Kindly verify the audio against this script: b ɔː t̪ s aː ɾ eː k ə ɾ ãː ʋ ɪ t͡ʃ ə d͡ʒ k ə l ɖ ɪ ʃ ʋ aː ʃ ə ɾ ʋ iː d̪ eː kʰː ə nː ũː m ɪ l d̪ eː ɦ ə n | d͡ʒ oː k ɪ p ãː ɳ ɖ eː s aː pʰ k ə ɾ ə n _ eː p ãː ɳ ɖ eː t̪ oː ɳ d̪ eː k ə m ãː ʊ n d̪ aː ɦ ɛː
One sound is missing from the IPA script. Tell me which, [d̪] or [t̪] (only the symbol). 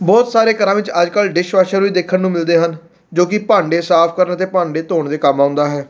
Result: t̪